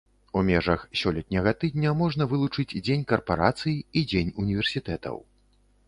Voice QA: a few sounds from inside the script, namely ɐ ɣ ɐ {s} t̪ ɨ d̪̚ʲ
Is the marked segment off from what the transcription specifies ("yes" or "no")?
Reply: yes